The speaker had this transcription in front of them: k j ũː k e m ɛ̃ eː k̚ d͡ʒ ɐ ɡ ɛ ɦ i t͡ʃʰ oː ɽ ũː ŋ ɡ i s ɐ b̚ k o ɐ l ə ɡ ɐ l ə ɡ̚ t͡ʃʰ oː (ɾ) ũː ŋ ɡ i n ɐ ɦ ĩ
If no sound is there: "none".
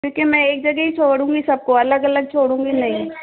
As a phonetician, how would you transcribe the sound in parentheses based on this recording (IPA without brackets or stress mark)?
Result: ɽ